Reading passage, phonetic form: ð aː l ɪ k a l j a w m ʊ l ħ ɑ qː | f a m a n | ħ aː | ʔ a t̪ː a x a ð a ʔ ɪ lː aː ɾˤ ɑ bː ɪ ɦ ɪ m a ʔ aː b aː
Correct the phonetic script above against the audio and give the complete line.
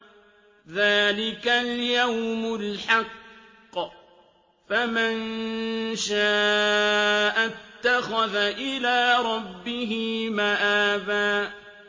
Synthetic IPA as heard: ð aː l ɪ k a l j a w m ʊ l ħ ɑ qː | f a m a n | ʃ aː | ʔ a t̪ː a x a ð a ʔ ɪ l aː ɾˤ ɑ bː ɪ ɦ ɪ m a ʔ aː b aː